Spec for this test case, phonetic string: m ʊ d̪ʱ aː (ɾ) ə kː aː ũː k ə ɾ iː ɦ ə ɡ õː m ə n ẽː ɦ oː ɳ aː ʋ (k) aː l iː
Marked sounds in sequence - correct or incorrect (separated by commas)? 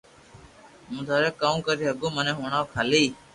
correct, incorrect